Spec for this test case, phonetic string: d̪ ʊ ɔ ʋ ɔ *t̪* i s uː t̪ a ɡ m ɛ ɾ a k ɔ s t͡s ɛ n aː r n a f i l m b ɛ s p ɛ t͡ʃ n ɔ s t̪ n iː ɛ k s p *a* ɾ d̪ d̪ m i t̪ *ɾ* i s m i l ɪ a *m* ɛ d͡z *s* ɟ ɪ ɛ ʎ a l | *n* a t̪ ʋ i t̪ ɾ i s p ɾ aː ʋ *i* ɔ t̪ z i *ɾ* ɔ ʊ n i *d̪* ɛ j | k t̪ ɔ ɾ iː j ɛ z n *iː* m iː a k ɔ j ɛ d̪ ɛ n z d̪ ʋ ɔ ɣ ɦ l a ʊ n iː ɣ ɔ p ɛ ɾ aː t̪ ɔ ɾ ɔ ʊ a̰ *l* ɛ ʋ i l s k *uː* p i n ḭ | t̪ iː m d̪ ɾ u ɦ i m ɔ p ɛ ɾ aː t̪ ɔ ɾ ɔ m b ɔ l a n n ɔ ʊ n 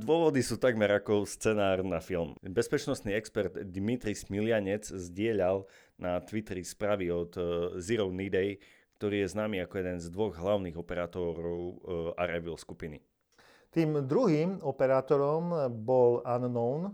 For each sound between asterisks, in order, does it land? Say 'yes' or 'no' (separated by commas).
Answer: no, no, yes, no, no, yes, yes, yes, yes, no, no, no